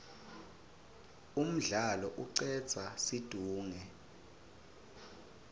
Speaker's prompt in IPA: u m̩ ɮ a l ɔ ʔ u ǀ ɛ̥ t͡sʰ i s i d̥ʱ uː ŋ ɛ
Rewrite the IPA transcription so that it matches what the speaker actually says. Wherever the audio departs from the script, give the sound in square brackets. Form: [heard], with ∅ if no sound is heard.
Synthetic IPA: u m̩ ɮ a l ɔ ʔ u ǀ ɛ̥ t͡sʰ [a] s i d̥ʱ uː ŋ ɛ